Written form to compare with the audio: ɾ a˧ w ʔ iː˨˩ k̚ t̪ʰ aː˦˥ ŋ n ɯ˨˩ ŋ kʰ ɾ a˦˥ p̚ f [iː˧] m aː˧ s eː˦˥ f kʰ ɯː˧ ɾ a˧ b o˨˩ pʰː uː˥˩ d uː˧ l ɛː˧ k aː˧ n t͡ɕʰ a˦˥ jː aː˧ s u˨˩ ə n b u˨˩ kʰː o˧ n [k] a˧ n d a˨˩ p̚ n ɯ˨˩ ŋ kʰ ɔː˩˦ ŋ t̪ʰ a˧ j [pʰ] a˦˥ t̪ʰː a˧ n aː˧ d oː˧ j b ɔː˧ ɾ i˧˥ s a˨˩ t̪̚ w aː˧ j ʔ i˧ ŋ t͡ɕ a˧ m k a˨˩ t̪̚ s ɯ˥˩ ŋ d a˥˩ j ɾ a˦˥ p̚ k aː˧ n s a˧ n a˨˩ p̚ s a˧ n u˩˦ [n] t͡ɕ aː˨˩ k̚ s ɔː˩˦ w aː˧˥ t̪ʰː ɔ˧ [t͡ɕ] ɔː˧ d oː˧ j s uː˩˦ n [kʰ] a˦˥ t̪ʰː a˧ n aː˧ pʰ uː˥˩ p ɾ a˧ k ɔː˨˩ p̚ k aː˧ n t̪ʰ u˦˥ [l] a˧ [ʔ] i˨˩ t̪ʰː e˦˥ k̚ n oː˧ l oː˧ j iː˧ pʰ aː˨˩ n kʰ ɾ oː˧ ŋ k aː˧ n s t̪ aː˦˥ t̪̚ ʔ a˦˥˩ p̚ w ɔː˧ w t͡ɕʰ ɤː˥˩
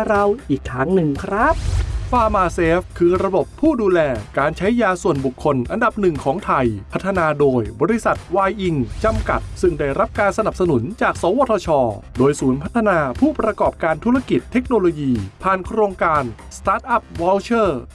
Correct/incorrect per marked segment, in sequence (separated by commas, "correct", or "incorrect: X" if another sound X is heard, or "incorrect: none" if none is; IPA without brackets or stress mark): incorrect: aː˧, incorrect: ʔ, correct, correct, incorrect: t͡ɕʰ, incorrect: pʰ, incorrect: ɾ, incorrect: k